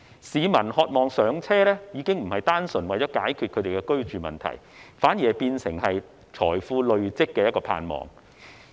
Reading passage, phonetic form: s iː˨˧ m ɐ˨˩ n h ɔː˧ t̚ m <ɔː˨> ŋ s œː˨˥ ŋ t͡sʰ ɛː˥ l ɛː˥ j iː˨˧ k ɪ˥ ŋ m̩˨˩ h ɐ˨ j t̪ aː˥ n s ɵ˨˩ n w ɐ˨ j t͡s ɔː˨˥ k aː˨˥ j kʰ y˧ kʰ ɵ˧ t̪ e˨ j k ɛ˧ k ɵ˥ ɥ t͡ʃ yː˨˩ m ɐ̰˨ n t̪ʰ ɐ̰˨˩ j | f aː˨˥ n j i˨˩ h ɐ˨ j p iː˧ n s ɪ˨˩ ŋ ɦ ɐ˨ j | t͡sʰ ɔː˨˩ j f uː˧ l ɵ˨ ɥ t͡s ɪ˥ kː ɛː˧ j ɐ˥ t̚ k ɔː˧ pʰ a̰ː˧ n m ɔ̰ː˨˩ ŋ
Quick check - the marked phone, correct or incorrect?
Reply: correct